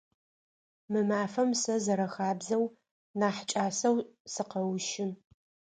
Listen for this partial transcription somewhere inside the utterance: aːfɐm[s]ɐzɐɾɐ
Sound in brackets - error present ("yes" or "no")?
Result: no